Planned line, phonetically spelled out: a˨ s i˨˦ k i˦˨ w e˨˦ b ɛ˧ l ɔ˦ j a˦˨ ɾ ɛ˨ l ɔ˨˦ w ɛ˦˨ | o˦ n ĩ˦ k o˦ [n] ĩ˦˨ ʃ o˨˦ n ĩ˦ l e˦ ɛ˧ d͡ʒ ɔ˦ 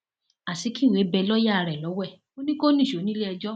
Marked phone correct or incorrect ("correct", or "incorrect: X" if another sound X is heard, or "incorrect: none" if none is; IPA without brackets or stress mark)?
correct